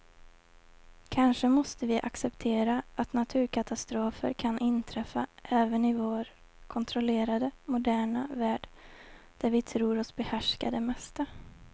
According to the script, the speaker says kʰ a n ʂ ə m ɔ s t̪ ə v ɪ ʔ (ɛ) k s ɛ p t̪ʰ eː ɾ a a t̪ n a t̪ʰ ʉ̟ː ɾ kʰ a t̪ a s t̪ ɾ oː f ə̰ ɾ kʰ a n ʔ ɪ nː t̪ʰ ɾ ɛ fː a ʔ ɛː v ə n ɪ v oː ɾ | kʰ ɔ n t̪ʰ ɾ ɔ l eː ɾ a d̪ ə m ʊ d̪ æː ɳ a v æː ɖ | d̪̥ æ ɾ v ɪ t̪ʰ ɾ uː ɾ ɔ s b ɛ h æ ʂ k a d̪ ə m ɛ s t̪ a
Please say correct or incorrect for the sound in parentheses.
incorrect